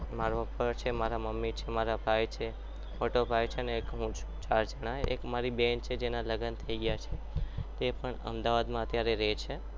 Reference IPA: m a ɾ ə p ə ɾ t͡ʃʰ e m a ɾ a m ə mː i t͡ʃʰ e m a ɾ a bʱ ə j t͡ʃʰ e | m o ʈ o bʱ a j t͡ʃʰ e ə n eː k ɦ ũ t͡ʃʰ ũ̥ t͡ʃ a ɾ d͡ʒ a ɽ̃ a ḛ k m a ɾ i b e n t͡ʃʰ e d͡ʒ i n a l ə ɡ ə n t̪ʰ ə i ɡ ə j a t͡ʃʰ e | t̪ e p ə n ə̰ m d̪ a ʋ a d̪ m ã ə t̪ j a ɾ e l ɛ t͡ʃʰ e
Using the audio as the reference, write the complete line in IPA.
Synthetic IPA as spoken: m a ɾ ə p ə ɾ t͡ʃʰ e m a ɾ a m ə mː i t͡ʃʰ e m a ɾ a bʱ a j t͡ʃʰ e | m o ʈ o bʱ a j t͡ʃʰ e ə n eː k ɦ ũ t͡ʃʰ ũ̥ t͡ʃ a ɾ d͡ʒ ə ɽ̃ a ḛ k m a ɾ i b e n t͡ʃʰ e d͡ʒ e n a l ə ɡ ə n t̪ʰ ə i ɡ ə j a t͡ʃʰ e | t̪ e p ə ɳ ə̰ m d̪ a ʋ a d̪ m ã ə t̪ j a ɾ e ɾ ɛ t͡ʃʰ e